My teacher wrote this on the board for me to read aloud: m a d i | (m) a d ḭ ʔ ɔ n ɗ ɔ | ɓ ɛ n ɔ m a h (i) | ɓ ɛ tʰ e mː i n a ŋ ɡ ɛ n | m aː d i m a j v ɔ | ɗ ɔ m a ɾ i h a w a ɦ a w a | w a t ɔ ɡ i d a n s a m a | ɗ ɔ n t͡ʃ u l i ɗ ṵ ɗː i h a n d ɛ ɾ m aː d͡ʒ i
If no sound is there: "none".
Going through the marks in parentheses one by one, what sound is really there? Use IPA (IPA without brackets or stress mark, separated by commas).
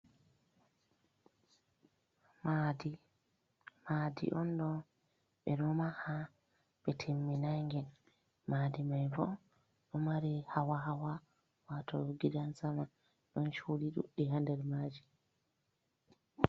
m, a